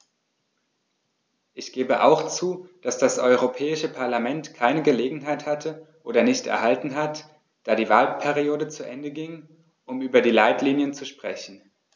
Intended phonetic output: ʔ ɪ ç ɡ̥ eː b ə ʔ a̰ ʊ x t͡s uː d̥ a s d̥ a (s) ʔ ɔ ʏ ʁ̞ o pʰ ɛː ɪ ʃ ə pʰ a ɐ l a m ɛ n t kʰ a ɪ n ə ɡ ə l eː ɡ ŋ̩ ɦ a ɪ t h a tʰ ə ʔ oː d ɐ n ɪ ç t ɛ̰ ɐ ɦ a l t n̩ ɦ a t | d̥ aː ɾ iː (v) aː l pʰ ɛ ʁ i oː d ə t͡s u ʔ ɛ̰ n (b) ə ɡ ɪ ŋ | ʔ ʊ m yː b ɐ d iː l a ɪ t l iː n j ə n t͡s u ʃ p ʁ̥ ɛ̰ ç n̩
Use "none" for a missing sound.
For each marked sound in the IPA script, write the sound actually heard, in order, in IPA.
s, v, d

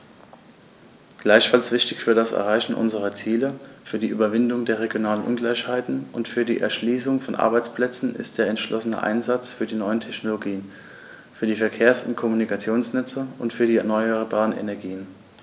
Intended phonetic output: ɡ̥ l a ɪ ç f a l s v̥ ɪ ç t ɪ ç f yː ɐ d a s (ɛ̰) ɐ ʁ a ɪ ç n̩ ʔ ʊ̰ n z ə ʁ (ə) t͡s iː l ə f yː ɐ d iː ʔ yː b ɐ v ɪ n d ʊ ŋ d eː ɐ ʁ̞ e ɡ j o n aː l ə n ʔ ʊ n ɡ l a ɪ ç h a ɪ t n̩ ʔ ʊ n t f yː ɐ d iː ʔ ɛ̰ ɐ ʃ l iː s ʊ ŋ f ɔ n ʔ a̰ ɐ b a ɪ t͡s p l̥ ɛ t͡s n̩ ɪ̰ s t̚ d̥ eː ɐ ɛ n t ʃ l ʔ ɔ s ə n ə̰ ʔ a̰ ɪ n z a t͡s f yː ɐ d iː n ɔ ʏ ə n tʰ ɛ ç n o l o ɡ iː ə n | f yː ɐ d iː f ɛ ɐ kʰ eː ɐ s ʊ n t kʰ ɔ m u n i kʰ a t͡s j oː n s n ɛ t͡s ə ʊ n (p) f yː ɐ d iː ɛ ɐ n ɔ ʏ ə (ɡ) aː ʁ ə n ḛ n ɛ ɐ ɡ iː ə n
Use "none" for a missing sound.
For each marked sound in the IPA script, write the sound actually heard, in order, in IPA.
ɛ̰, ɐ, t, b

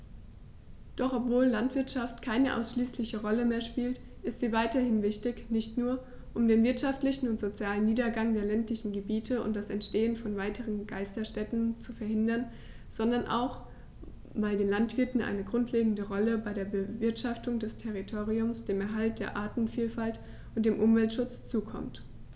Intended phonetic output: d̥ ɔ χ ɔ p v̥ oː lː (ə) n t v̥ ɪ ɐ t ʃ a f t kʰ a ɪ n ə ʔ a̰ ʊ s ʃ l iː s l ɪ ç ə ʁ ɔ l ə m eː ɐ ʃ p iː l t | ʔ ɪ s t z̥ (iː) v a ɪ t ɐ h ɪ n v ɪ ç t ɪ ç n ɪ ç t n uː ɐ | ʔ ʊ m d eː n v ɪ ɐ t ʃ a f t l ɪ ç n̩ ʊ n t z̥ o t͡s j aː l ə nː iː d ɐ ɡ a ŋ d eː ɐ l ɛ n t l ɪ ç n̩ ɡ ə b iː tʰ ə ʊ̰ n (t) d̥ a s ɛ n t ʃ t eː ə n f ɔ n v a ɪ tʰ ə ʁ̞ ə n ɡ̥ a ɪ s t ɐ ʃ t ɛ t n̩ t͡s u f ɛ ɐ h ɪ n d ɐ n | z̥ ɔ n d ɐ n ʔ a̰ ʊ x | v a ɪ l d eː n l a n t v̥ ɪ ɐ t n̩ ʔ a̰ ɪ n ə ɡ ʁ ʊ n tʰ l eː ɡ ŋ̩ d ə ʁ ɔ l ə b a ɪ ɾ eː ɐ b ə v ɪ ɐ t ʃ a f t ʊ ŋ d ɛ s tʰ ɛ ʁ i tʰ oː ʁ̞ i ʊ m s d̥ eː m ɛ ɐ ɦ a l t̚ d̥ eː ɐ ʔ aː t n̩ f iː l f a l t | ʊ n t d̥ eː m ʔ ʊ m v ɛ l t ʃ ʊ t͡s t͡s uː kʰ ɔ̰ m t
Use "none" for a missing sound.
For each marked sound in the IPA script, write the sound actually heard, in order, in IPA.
a, iː, t

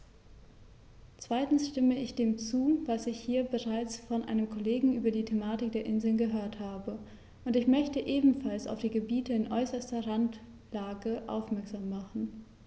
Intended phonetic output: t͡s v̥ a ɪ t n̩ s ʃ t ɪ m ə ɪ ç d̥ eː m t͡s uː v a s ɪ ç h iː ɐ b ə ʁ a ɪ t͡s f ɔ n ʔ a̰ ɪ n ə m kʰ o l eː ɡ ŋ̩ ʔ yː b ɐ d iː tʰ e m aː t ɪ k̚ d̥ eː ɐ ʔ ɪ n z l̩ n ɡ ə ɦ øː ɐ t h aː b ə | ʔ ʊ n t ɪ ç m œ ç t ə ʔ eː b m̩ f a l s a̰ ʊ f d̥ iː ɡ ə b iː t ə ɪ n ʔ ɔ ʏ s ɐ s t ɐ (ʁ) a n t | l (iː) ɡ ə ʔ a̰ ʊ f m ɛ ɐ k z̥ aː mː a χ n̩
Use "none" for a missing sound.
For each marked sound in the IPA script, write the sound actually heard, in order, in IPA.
ʁ, aː

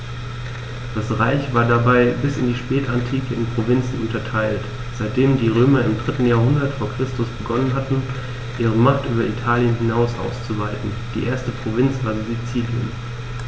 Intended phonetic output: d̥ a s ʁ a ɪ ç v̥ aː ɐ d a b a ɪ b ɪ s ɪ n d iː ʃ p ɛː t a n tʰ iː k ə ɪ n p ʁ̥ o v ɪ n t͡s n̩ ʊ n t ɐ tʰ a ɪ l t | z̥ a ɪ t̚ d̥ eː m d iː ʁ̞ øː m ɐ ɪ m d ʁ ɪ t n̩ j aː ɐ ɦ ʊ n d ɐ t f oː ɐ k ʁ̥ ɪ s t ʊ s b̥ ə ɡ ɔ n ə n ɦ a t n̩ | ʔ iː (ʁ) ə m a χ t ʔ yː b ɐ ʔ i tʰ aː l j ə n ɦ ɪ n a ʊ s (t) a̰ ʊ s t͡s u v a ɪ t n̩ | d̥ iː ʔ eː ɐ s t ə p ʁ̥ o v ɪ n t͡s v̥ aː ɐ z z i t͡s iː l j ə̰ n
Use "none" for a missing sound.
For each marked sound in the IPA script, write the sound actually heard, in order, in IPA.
ʁ, ʔ

